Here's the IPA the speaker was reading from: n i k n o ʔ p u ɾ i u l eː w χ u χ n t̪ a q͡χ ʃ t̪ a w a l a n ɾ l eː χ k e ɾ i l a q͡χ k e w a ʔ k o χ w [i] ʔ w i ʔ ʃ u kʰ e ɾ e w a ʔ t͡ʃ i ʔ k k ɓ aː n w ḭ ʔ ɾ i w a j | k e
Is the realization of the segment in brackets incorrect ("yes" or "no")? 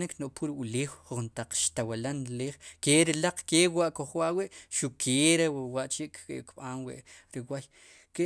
yes